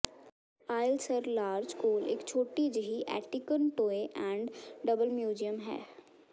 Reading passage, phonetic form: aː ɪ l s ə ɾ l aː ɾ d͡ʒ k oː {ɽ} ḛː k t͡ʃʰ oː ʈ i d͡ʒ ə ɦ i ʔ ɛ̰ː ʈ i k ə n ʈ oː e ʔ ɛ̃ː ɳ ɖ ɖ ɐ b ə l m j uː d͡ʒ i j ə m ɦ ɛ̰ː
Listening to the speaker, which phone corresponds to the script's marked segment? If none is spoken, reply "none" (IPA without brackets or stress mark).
l